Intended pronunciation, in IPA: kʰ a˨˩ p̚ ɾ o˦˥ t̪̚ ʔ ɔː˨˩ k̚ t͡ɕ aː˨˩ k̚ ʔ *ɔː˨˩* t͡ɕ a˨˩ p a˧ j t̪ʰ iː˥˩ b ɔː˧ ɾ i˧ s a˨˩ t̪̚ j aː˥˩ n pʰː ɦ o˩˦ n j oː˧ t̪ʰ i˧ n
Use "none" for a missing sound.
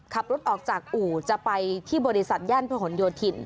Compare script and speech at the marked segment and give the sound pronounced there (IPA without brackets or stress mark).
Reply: uː˨˩